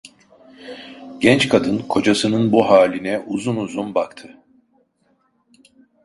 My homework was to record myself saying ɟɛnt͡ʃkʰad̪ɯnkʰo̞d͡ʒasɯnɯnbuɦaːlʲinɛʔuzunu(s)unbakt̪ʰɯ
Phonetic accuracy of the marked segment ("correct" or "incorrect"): incorrect